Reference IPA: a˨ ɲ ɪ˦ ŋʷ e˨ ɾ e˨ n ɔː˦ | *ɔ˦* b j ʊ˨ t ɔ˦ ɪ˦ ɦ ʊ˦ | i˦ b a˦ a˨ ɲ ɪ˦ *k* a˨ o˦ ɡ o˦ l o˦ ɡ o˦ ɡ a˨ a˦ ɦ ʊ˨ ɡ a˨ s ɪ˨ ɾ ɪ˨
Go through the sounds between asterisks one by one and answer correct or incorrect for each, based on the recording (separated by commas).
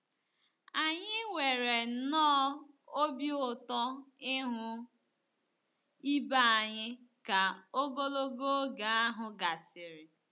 incorrect, correct